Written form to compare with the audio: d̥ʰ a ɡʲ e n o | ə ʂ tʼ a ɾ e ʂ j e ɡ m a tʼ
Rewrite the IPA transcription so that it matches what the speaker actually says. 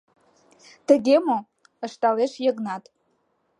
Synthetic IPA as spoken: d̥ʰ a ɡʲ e m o | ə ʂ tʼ a l e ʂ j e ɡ n a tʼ